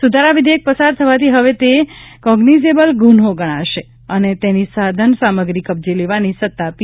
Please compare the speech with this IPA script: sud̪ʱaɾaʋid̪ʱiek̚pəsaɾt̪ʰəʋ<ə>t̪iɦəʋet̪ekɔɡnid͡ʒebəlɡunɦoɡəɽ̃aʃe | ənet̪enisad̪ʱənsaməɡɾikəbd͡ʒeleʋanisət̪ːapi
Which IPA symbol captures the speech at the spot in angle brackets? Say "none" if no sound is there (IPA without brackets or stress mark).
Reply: a